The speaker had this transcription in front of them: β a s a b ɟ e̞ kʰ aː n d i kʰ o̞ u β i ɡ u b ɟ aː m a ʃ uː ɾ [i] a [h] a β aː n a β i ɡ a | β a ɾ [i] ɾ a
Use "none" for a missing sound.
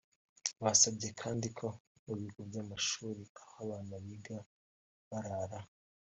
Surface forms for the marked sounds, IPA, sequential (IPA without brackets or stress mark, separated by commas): i, h, a